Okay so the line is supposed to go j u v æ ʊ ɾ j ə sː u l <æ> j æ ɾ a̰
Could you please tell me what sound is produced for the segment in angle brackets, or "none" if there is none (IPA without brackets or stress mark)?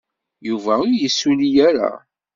i